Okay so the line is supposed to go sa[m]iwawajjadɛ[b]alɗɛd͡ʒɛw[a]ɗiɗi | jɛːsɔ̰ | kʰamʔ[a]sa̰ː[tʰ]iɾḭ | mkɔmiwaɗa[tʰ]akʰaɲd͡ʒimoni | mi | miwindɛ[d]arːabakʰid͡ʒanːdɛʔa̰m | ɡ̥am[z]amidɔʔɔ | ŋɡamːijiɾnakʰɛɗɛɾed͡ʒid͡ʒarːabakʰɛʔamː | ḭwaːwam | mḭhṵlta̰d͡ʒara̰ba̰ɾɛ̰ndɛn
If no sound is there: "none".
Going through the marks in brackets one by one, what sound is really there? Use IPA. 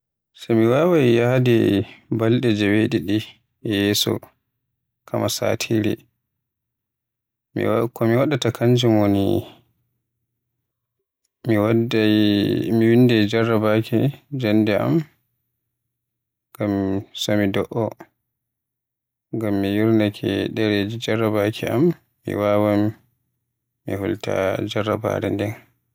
m, b, e, a, tʰ, t, d͡ʒ, s

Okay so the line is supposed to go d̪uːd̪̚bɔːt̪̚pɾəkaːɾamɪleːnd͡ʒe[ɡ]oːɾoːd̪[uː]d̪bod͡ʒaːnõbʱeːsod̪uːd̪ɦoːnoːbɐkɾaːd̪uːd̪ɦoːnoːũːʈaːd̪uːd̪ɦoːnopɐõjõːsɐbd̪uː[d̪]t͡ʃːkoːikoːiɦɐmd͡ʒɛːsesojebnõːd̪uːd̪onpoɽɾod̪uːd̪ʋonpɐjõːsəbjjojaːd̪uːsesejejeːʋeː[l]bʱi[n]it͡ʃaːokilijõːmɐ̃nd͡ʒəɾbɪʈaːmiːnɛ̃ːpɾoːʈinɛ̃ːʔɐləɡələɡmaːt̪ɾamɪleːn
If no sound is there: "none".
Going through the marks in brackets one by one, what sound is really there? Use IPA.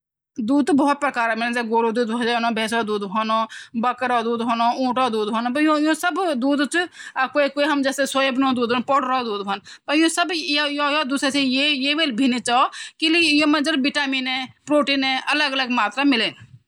ɡ, uː, d̪, l, n

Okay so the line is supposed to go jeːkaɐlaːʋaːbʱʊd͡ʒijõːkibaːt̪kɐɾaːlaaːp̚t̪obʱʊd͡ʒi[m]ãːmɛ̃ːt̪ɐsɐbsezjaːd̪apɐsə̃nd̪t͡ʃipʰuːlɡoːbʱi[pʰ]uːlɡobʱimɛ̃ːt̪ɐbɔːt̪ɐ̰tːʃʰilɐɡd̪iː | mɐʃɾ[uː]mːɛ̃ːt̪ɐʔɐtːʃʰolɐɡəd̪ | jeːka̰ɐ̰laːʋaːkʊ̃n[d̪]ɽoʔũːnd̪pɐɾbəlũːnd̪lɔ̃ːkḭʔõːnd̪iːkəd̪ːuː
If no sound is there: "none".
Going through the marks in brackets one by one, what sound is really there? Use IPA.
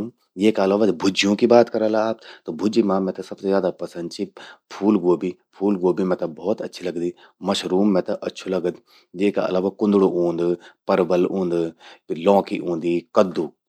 m, pʰ, uː, d̪

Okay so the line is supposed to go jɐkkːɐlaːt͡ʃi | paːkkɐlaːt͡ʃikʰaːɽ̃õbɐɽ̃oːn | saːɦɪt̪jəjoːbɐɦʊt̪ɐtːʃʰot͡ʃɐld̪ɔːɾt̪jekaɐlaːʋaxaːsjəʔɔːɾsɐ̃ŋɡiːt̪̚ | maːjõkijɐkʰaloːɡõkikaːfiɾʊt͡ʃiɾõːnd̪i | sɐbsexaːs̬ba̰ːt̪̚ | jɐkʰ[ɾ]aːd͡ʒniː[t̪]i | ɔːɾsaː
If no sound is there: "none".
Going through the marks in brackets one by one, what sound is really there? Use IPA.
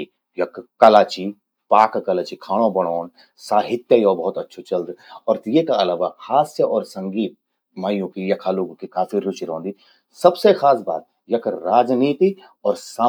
ɾ, t̪

